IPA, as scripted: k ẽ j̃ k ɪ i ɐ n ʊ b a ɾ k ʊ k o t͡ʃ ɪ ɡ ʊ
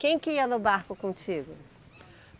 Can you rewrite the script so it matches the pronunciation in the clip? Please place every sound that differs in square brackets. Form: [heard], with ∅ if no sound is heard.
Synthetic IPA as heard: k ẽ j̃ k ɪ i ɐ n ʊ b a ɾ k ʊ k [õ] t͡ʃ [i] ɡ ʊ